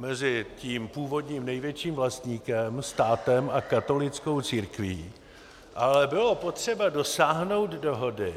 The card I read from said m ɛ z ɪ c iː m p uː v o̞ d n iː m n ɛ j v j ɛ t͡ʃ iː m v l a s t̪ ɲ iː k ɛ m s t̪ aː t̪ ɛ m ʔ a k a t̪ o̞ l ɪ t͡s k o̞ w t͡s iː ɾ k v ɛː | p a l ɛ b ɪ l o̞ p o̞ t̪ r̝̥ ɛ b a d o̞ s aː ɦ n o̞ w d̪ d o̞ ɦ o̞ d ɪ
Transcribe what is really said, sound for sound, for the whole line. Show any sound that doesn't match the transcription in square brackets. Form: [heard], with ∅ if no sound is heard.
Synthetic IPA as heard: m ɛ z ɪ c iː m p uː v o̞ d [ɲ] iː m n ɛ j v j ɛ t͡ʃ iː m v l a s t̪ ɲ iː k ɛ m s t̪ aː t̪ ɛ m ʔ a k a t̪ o̞ l ɪ t͡s k o̞ w t͡s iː ɾ k v [iː] | [ʔ] a l ɛ b ɪ l o̞ p o̞ t̪ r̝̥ ɛ b a d o̞ s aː ɦ n o̞ w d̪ d o̞ ɦ o̞ d ɪ